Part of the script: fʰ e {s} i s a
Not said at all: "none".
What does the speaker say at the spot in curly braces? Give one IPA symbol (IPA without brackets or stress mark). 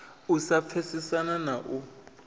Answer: s